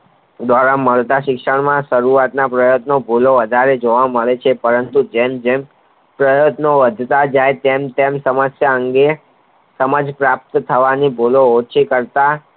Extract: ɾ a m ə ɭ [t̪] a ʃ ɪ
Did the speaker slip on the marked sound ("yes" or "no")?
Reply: no